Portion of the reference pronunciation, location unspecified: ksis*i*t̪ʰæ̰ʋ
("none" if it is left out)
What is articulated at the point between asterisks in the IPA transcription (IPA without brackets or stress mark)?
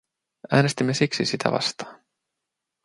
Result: i